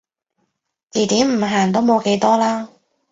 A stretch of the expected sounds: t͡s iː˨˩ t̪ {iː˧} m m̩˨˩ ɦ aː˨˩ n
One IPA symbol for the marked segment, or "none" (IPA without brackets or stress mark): iː˨˥